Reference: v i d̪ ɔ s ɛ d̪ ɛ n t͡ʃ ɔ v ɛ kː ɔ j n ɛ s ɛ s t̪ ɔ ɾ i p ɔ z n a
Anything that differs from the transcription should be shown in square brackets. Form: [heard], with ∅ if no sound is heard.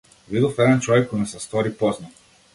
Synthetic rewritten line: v i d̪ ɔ [f] ɛ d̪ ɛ n t͡ʃ ɔ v ɛ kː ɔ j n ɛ s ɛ s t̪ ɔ ɾ i p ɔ z n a